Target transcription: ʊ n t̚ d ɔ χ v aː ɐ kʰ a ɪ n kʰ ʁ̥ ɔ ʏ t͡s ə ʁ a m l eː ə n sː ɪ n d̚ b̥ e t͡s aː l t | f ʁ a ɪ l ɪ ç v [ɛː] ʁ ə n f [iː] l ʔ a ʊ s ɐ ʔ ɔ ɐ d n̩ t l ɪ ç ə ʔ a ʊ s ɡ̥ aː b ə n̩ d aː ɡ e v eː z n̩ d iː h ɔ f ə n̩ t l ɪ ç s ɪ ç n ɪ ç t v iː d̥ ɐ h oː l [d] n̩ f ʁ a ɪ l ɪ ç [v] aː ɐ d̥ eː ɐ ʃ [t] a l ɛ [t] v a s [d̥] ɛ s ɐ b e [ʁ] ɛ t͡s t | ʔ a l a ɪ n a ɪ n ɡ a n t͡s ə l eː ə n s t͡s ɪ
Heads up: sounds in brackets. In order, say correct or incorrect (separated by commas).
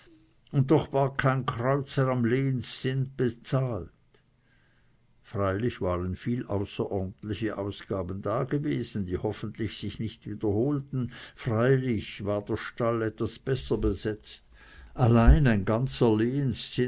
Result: incorrect, correct, incorrect, correct, correct, correct, incorrect, incorrect